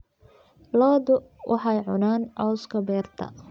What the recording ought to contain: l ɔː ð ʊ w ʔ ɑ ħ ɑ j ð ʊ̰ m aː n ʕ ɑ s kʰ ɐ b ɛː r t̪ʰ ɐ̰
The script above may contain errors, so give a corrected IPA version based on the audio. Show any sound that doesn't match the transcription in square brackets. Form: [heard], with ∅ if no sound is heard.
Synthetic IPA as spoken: l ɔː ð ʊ w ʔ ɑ ħ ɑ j [ʕ] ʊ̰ [n] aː n ʕ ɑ s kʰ ɐ b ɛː r t̪ʰ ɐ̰